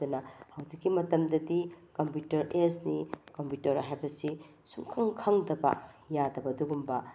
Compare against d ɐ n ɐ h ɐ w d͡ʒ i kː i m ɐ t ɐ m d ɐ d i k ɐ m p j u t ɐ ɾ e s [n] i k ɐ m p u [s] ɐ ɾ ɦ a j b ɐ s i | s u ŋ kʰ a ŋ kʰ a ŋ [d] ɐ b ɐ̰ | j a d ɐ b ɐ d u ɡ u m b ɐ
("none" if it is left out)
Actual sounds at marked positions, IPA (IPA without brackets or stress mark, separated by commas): n, t, d